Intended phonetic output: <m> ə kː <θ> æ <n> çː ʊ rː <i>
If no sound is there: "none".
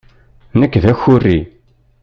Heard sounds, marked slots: n, ð, none, i

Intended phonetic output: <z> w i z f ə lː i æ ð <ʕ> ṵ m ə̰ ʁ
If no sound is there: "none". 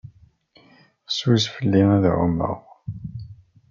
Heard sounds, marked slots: s, ʕ

